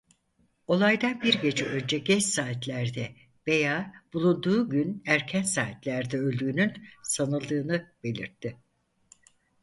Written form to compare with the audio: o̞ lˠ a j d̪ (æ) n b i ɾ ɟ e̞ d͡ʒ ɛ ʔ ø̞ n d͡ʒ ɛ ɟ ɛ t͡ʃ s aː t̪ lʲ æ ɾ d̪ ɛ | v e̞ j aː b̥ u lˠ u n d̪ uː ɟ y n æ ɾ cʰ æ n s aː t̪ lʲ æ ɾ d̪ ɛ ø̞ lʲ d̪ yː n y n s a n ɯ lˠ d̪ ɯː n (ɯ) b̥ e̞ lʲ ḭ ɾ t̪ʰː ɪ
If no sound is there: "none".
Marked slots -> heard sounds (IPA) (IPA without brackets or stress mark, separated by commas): a, ɯ